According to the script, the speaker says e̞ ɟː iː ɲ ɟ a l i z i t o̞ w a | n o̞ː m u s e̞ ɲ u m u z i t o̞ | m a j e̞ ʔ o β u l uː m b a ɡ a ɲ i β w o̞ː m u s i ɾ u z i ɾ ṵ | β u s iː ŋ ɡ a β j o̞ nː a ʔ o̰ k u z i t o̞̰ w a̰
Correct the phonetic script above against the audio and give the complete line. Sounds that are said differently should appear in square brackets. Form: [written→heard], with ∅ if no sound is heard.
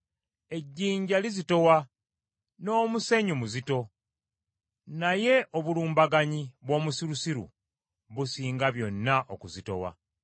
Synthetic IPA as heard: e̞ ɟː iː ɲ ɟ a l i z i t o̞ w a | n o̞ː m u s e̞ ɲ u m u z i t o̞ | [m→n] a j e̞ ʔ o β u l uː m b a ɡ a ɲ i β w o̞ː m u s i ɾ u [z→s] i ɾ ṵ | β u s iː ŋ ɡ a β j o̞ nː a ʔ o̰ k u z i t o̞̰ w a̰